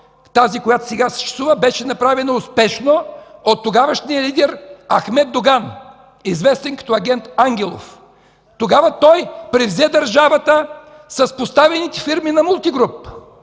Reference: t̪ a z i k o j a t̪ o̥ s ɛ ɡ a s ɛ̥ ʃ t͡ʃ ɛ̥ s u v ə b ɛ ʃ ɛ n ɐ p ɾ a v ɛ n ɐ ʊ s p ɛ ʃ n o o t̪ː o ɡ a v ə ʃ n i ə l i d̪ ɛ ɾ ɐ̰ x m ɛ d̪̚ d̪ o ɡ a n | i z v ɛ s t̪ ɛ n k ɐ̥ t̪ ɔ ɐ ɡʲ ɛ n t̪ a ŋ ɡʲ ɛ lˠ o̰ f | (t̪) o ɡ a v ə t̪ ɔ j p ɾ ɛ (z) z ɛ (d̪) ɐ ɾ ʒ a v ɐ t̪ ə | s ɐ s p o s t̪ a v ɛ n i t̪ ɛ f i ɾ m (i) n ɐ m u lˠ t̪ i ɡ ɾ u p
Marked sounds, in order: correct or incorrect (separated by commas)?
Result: correct, incorrect, correct, correct